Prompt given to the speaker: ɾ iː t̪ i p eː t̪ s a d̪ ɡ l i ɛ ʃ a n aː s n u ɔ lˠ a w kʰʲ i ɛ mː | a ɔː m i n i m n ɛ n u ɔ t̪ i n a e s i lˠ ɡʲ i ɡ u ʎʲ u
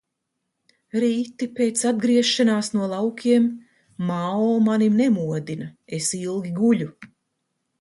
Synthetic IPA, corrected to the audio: ɾ iː t̪ i p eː t̪ s a d̪ ɡ ɾ i ɛ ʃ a n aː s n u ɔ lˠ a w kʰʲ i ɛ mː | a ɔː m a n i m n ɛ m u ɔ d̪ i n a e s i lˠ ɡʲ i ɡ u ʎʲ u